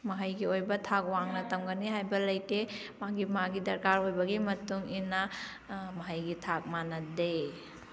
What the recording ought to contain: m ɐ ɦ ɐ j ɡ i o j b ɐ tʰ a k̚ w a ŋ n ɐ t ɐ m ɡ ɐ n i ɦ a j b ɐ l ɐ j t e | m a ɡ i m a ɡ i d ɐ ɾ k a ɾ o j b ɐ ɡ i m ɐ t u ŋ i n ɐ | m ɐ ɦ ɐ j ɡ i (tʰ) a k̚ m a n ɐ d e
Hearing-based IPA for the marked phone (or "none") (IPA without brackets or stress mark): tʰ